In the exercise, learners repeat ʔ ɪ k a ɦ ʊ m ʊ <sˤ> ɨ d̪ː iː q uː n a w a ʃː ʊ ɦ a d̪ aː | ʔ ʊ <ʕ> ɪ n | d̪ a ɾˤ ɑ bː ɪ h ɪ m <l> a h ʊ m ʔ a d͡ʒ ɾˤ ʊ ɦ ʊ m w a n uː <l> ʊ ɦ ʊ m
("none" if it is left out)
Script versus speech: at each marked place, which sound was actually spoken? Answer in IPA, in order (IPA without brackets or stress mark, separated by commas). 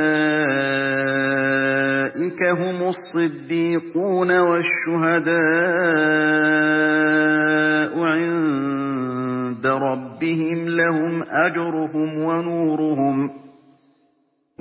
sˤː, ʕ, l, ɾ